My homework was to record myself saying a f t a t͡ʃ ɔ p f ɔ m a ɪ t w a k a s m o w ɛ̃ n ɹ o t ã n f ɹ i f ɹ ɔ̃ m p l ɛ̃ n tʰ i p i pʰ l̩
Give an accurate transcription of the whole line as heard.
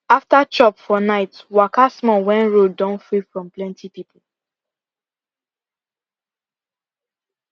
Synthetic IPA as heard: a f t a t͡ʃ ɔ p f ɔ n a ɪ t w a k a s m ɔ w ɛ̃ n ɹ o d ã n f ɹ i f ɹ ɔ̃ m p l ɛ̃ n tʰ i p i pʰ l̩